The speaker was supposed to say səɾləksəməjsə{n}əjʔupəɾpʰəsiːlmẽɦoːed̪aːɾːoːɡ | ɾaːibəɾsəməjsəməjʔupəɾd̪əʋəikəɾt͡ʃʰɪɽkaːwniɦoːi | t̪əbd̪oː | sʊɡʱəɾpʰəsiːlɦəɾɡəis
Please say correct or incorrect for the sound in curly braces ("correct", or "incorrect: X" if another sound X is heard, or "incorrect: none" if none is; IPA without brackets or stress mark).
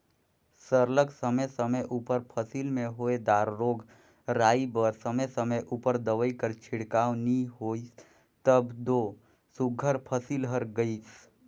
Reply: incorrect: m